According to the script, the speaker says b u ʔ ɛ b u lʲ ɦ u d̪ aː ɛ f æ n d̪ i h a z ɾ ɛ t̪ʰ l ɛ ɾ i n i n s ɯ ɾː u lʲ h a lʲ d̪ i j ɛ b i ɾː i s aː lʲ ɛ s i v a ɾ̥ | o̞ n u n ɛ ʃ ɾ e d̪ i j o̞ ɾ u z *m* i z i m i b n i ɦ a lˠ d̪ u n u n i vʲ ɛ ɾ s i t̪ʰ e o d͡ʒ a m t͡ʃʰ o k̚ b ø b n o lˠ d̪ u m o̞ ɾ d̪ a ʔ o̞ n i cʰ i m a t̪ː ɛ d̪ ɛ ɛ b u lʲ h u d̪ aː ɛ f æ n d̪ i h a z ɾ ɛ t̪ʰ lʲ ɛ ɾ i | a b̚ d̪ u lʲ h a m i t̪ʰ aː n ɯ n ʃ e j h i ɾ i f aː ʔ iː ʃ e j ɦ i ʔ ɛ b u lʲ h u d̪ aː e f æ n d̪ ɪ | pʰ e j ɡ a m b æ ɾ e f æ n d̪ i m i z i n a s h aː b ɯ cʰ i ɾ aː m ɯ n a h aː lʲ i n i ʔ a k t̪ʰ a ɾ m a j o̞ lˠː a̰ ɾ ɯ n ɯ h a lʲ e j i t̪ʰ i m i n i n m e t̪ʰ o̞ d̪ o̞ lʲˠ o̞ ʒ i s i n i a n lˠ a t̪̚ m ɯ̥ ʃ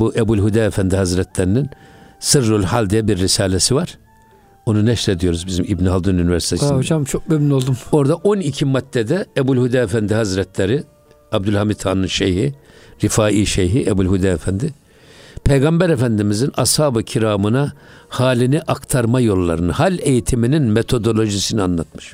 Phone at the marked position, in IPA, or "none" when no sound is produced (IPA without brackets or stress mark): b